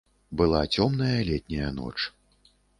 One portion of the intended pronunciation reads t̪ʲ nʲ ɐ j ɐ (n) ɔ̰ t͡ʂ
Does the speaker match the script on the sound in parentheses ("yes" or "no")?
yes